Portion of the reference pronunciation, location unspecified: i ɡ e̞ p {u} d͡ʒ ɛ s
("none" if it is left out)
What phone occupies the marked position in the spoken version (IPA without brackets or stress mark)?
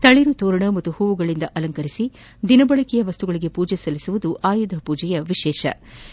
uː